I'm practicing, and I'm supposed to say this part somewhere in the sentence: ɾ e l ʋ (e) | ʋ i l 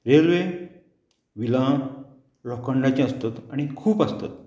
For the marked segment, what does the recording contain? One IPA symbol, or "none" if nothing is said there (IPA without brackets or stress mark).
e